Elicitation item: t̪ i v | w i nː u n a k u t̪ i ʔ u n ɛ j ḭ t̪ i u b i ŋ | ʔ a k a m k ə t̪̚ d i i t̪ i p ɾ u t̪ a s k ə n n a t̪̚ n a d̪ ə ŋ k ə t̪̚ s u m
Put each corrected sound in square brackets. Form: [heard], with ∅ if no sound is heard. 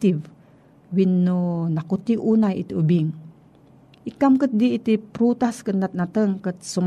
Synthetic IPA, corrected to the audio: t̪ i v | w i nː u n a k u t̪ i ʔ u n [a] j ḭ t̪ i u b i ŋ | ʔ [i] k a m k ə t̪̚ d i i t̪ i p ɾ u t̪ a s k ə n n a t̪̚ n a [t̪] ə ŋ k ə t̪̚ s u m